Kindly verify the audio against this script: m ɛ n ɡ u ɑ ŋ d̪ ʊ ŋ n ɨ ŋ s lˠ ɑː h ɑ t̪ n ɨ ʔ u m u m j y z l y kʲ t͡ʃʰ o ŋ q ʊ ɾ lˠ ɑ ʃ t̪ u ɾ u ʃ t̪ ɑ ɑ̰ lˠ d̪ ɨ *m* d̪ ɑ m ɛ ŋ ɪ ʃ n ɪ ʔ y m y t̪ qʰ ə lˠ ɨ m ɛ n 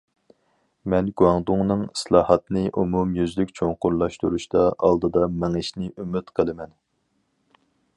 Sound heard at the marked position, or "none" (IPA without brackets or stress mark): none